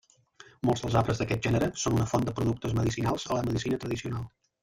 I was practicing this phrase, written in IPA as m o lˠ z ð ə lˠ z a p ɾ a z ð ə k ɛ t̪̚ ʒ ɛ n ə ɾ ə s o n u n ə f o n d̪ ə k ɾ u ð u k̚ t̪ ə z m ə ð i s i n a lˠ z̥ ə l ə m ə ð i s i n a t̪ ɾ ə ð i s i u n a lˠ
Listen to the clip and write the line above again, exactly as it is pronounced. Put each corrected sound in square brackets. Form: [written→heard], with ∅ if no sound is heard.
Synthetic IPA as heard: m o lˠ z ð ə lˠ z a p ɾ [a→ə] z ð ə k ɛ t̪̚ ʒ ɛ n ə ɾ ə s o n u n ə f o n d̪ ə [k→p] ɾ u ð u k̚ t̪ ə z m ə ð i s i n a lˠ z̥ ə l ə m ə ð i s i n [a→ə] t̪ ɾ ə ð i s i u n a lˠ